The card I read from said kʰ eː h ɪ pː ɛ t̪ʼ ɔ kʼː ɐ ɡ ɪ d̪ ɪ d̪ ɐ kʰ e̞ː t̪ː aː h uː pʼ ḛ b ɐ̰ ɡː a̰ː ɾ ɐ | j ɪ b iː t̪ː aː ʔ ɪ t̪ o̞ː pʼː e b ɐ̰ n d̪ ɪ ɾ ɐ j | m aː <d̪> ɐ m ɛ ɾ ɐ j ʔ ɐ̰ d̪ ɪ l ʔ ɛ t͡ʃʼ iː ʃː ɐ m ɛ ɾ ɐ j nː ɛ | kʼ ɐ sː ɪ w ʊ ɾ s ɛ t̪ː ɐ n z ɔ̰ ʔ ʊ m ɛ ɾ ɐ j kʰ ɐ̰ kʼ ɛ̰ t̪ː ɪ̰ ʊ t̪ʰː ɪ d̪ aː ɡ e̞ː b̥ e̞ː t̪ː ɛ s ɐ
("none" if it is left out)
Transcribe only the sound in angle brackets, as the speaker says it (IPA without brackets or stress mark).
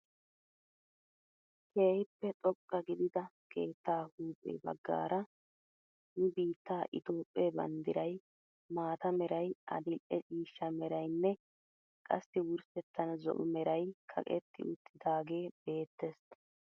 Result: t̪